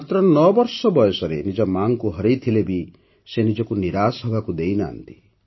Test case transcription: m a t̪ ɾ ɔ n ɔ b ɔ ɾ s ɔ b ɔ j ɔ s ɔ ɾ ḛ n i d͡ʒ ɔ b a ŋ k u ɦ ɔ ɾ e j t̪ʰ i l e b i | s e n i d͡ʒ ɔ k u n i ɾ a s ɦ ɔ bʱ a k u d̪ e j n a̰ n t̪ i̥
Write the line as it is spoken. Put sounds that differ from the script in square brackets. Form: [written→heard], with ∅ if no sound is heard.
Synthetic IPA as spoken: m a t̪ ɾ ɔ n ɔ b ɔ ɾ s ɔ b ɔ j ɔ s ɔ ɾ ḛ n i d͡ʒ ɔ [b→m] a ŋ k u ɦ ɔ ɾ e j t̪ʰ i l e b i | s e n i d͡ʒ ɔ k u n i ɾ a s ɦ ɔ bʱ a k u d̪ e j n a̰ n t̪ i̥